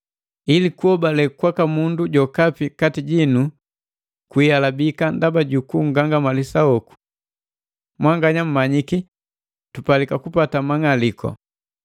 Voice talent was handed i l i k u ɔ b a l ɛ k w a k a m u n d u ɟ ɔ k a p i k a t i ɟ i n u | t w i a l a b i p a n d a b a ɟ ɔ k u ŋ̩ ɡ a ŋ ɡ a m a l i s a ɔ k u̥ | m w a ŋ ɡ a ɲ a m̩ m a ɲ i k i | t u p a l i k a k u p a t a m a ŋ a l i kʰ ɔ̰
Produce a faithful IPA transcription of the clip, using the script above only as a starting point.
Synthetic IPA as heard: i l i k u ɔ b a l ɛ k w a k a m u n d u ɟ ɔ k a p i k a t i ɟ i n u | k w i a l a b i k a n d a b a ɟ u k u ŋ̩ ɡ a ŋ ɡ a m a l i s a ɔ k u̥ | m w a ŋ ɡ a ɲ a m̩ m a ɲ i k i | t u p a l i k a k u p a t a m a ŋ a l i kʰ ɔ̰